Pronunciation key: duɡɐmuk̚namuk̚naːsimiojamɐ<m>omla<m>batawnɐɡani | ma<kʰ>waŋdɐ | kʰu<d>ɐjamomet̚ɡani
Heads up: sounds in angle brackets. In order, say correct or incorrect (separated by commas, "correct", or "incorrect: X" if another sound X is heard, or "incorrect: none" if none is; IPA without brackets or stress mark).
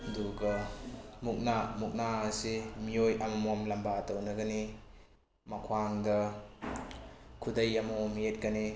correct, correct, correct, correct